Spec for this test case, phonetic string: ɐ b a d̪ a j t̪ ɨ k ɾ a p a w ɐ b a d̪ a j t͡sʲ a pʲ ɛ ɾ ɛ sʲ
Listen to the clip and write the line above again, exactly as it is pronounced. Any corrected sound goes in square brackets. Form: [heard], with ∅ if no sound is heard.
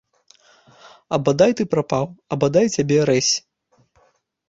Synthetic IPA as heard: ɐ b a d̪ a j t̪ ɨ [p] ɾ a p a w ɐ b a d̪ a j t͡sʲ a [bʲ] ɛ ɾ ɛ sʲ